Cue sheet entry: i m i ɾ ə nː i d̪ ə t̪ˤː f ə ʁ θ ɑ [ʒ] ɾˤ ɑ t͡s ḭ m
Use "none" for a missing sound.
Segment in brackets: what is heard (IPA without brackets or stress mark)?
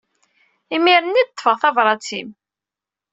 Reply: v